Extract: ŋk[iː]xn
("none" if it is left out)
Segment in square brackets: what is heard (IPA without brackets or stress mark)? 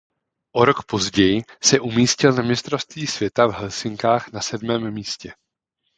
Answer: aː